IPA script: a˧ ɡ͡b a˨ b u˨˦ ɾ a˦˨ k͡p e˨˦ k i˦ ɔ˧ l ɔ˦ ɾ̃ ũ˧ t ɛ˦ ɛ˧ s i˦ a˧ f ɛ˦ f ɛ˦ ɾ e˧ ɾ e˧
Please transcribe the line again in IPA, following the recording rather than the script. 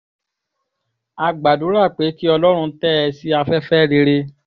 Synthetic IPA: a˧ ɡ͡b a˨ d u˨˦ ɾ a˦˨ k͡p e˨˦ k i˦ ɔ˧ l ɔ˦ ɾ̃ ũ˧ t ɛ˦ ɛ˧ s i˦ a˧ f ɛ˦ f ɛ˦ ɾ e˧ ɾ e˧